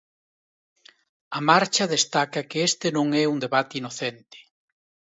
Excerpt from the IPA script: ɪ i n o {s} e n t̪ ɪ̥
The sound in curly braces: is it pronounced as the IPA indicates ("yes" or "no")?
no